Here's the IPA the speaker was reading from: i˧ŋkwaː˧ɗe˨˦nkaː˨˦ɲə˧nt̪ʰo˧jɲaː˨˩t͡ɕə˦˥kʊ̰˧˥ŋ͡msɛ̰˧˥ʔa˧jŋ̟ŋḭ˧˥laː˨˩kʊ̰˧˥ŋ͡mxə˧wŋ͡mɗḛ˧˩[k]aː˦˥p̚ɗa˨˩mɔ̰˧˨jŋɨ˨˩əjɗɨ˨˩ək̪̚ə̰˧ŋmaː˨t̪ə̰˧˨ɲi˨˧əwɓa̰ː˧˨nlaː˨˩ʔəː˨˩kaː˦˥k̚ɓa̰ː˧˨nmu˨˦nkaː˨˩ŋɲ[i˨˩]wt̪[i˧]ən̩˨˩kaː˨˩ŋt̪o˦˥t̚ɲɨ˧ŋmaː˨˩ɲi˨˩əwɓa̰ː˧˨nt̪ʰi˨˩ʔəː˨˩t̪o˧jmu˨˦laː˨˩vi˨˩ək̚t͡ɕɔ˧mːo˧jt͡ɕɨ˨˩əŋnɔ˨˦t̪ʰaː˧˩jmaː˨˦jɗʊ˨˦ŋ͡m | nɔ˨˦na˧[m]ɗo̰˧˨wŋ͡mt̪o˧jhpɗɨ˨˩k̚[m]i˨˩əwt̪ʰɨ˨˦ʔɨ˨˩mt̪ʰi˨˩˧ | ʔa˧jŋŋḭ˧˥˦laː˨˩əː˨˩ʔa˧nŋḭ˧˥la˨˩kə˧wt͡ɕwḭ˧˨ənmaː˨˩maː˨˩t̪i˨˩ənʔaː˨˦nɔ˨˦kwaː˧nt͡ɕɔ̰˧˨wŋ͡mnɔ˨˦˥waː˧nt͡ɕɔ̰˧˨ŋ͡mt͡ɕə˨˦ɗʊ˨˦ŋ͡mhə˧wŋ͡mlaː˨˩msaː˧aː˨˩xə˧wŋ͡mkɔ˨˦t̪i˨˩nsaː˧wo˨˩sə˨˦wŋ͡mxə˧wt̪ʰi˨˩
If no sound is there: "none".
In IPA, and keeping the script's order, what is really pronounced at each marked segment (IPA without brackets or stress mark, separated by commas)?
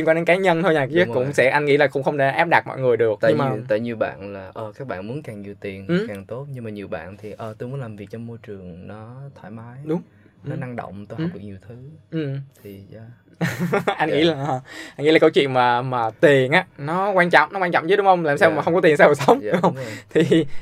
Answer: ʔ, i˨˩, i˨˩, ŋ, ɲ